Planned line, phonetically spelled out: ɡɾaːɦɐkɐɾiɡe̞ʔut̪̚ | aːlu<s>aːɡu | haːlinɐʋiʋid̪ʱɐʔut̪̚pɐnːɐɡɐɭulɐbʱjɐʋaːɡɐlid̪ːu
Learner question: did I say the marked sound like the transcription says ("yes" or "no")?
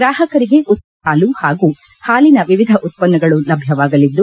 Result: no